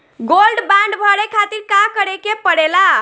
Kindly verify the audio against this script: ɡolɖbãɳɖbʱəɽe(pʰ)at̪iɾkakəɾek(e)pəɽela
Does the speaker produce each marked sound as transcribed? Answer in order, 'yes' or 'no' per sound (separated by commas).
no, yes